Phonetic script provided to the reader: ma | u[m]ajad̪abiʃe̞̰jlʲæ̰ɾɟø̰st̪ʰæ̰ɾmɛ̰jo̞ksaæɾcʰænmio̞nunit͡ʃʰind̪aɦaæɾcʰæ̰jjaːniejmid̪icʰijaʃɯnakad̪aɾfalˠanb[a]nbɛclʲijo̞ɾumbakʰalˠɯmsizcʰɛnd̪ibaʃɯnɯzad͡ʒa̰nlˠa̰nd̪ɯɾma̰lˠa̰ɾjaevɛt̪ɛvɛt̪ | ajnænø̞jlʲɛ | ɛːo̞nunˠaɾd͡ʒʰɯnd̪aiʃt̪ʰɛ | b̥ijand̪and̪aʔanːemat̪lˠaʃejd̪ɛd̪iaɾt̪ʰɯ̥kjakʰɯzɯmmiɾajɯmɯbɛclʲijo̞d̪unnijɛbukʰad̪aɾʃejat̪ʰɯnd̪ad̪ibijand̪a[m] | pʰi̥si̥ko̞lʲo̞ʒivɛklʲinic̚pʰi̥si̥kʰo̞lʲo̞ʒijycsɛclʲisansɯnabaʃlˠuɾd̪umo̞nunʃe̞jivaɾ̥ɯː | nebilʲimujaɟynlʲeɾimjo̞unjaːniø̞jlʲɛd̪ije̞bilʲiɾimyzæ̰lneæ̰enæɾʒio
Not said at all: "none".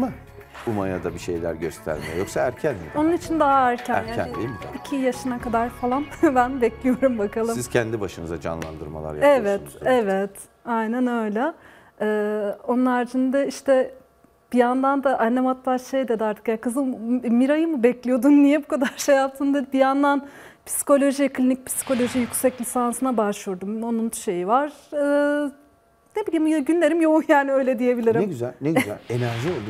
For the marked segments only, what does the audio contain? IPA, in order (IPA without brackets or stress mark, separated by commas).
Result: m, æ, n